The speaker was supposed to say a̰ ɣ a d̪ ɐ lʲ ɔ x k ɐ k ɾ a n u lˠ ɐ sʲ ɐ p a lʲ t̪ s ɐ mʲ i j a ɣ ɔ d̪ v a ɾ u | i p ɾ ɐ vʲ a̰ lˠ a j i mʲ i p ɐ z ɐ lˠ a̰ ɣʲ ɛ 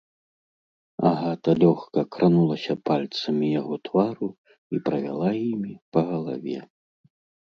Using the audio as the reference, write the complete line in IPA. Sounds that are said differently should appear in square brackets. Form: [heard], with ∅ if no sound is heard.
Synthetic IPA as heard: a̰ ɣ a [t̪] ɐ lʲ ɔ x k ɐ k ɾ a n u lˠ ɐ sʲ ɐ p a lʲ t̪ s ɐ mʲ i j a ɣ ɔ [t̪] v a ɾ u | i p ɾ ɐ vʲ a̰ lˠ a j i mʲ i p ɐ [ɣ] ɐ lˠ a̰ [vʲ] ɛ